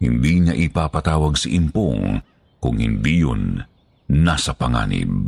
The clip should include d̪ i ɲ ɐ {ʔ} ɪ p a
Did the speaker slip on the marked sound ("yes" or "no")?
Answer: no